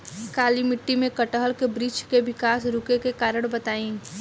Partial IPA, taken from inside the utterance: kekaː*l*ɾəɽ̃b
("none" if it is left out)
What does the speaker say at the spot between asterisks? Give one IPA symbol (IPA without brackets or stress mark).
none